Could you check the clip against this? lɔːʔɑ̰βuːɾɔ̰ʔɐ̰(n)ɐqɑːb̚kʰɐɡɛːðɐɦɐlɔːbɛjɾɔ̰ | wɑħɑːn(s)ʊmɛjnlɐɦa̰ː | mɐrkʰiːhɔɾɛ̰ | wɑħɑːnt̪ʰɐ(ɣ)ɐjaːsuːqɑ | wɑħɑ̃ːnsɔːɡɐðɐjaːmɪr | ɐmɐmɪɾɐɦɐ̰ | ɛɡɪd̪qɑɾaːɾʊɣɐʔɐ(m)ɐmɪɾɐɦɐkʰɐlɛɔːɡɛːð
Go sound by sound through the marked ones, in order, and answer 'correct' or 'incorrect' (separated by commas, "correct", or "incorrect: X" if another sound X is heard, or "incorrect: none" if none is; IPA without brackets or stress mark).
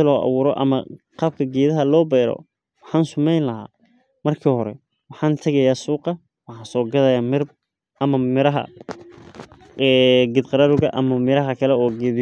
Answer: incorrect: m, correct, correct, correct